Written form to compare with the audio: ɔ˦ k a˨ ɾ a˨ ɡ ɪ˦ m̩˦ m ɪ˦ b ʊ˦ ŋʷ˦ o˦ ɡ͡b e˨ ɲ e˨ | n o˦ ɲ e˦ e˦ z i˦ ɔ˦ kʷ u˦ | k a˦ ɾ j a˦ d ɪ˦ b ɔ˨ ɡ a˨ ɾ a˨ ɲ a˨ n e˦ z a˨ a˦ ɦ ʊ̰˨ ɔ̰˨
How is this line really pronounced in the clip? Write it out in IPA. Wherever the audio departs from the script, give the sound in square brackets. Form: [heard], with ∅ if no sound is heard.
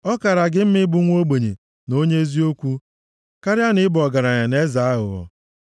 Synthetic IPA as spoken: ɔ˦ k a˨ ɾ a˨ ɡ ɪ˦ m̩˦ m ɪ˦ b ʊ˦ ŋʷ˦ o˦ ɡ͡b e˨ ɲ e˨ | n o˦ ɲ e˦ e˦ z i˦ [o˦] kʷ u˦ | k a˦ ɾ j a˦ [n] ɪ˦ b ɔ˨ ɡ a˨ ɾ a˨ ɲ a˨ n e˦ z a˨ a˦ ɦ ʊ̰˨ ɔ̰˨